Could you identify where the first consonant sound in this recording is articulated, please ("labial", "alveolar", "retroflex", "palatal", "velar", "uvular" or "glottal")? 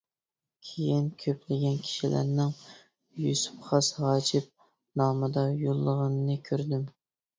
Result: velar